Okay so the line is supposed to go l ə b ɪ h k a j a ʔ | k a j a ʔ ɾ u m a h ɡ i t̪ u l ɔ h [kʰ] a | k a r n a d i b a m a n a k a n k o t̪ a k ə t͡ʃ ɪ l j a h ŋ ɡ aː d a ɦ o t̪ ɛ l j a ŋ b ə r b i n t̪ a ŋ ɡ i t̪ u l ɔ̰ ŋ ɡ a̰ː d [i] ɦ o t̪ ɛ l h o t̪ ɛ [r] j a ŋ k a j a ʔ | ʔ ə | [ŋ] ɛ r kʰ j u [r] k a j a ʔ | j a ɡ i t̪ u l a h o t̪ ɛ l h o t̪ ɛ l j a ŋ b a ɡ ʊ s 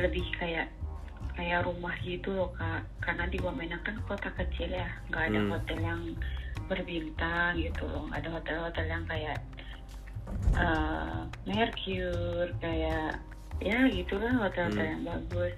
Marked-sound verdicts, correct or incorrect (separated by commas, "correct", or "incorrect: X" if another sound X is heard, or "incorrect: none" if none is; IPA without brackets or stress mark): incorrect: k, incorrect: a, incorrect: l, incorrect: m, correct